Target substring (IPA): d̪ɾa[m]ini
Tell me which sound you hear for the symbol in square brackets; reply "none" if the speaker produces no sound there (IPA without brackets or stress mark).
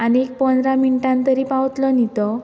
m